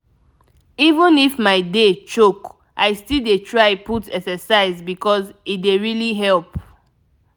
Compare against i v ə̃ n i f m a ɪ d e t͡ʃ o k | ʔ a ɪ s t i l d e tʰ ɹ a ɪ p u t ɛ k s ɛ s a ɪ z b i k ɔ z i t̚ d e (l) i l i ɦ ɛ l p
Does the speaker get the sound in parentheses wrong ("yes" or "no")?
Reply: yes